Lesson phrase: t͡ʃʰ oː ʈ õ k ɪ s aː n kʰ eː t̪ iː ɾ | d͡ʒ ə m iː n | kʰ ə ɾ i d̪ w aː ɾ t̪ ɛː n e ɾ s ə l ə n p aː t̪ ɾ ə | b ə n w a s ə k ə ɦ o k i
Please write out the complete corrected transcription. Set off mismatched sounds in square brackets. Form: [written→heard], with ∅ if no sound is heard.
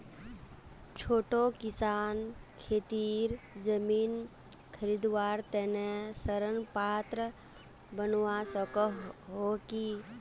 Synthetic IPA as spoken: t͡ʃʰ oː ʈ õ k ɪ s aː n kʰ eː t̪ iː ɾ | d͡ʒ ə m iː n | kʰ ə ɾ i d̪ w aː ɾ t̪ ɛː n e [ɾ→∅] s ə [l→ɾ] ə n p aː t̪ ɾ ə | b ə n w a s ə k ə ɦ o k i